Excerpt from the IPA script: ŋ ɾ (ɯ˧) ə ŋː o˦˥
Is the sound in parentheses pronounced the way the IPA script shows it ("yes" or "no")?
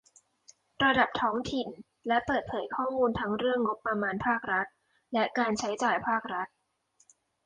no